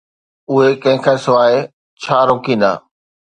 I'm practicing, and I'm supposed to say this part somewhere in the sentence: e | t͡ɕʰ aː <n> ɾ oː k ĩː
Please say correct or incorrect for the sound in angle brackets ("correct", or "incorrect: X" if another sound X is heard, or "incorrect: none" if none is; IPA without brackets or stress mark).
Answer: incorrect: none